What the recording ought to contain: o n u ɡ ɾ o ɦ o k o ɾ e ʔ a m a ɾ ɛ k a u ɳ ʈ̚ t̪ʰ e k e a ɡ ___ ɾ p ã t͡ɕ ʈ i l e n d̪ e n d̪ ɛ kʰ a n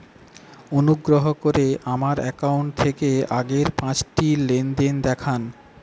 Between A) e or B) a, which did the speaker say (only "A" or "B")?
A